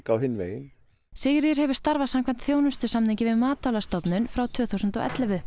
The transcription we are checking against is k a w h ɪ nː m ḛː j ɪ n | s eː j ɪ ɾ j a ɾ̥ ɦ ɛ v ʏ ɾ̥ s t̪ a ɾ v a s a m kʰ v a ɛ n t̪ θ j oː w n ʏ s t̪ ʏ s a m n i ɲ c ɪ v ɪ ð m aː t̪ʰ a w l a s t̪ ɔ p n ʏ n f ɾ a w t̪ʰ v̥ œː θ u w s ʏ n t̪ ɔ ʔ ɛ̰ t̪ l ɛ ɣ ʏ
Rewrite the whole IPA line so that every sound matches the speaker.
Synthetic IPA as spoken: k a w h ɪ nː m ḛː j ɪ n | s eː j ɪ ɾ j ɛ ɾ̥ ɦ ɛ v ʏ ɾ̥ s t̪ a ɾ v a s a m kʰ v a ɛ n t̪ θ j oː w n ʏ s t̪ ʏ s a m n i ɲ c ɪ v ɪ ð m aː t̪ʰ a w l a s t̪ ɔ p n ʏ n f ɾ a w t̪ʰ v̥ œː θ u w s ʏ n t̪ ɔ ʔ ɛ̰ t̪ l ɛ v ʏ